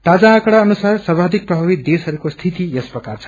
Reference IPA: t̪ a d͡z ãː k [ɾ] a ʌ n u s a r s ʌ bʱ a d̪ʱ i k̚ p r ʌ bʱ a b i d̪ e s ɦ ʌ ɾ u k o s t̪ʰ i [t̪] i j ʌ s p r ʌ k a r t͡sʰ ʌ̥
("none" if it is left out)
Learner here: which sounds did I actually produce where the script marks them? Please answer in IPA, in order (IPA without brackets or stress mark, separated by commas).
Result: ɽ, t̪